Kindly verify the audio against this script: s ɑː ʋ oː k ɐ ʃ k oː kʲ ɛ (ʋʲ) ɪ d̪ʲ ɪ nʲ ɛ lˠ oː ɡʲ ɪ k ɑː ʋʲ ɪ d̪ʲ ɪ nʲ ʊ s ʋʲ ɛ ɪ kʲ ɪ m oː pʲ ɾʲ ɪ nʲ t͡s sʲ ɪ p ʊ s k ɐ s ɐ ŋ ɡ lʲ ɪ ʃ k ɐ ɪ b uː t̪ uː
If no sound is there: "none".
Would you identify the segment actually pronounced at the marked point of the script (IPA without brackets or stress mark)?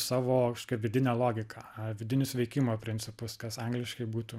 ʋʲ